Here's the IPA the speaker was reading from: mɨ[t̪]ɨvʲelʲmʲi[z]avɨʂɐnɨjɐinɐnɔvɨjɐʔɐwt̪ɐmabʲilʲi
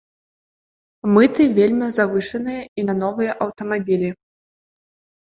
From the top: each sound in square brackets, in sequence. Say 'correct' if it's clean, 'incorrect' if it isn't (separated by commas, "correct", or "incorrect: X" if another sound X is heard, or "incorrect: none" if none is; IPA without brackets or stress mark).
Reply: correct, correct